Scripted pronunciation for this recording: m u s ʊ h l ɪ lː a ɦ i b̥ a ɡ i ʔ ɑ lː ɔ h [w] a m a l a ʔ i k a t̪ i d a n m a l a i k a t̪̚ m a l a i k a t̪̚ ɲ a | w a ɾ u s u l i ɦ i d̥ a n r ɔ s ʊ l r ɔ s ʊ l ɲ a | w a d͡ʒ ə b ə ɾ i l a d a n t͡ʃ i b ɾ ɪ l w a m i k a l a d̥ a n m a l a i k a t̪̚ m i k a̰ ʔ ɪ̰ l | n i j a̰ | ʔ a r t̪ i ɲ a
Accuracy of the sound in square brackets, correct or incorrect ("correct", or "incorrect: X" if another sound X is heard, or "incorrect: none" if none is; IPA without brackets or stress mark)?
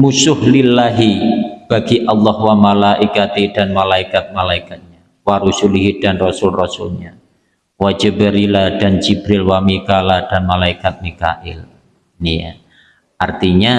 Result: correct